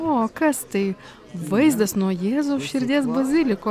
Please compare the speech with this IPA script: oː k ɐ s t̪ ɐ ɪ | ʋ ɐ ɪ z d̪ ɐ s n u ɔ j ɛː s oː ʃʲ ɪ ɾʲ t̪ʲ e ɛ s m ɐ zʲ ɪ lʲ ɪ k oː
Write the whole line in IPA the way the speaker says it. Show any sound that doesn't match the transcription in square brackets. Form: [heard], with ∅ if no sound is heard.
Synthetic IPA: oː k ɐ s t̪ ɐ ɪ | ʋ ɐ ɪ z d̪ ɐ s n u ɔ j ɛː [z] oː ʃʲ ɪ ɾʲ [d̪ʲ] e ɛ s [b] ɐ zʲ ɪ lʲ ɪ k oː